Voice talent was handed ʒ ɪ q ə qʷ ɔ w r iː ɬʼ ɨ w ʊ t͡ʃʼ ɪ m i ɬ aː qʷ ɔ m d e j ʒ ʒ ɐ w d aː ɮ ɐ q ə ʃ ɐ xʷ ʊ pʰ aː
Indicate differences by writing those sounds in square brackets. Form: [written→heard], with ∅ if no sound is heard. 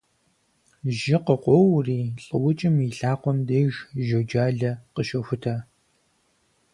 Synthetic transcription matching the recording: ʒ ɪ q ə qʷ ɔ w r iː ɬʼ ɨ w ʊ t͡ʃʼ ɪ m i ɬ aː qʷ ɔ m d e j ʒ ʒ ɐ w [d→d͡ʒ] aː ɮ ɐ q ə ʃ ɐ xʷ ʊ [pʰ→tʰ] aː